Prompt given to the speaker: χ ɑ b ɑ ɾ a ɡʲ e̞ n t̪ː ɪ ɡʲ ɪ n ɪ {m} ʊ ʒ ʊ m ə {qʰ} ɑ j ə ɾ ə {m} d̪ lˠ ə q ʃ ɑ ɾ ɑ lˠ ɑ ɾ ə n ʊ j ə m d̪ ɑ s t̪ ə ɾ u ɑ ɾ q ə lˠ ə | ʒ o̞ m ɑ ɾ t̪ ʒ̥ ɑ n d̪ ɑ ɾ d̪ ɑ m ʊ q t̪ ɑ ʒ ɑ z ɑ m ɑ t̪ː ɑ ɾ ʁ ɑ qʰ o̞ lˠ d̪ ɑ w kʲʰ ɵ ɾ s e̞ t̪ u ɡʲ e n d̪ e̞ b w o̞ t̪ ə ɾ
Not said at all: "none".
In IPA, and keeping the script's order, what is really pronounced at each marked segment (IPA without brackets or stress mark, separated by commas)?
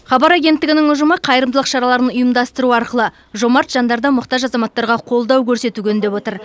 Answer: ŋ, qʰ, m